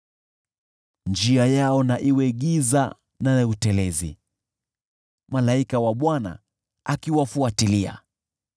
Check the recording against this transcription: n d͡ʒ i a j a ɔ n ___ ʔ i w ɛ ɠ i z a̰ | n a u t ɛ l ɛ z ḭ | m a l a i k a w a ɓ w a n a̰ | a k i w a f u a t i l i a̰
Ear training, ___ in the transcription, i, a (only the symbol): a